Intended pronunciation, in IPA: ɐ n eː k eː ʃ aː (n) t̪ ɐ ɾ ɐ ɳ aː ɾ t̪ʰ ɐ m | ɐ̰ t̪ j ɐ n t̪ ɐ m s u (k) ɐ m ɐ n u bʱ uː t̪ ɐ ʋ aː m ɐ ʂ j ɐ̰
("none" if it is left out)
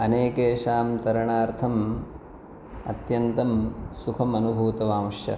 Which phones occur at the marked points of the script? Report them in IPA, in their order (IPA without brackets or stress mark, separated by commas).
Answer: m, kʰ